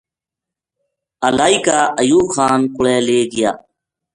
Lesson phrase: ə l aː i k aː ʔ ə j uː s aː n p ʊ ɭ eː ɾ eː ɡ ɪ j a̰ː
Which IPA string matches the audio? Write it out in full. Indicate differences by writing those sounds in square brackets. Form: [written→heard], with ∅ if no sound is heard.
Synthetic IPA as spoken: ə l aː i k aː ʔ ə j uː [s→x] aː n [p→k] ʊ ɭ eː [ɾ→l] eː ɡ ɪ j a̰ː